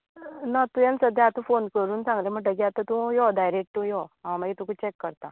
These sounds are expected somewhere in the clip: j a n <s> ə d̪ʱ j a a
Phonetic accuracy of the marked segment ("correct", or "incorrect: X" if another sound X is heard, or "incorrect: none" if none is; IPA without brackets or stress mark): correct